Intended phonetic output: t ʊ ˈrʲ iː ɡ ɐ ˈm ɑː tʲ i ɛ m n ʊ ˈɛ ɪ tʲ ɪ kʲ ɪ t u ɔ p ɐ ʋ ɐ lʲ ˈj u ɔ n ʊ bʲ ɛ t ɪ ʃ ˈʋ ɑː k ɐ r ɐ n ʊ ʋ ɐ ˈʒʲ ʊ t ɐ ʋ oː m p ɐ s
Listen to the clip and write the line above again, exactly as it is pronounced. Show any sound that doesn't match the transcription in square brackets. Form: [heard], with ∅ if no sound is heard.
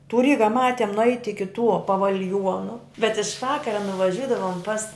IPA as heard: t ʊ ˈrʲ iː ɡ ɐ ˈm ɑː tʲ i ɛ m n ʊ ˈɛ ɪ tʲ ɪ kʲ ɪ t u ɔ p ɐ ʋ ɐ lʲ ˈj u ɔ n ʊ bʲ ɛ t ɪ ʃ ˈʋ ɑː k ɐ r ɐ n ʊ ʋ ɐ ˈʒʲ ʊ [d] ɐ ʋ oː m p ɐ s